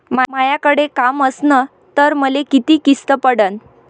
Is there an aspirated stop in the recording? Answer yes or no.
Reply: no